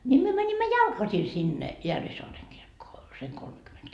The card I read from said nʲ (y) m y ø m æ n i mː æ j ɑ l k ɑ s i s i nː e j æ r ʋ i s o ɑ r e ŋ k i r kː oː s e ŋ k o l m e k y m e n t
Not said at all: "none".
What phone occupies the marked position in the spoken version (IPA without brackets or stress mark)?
i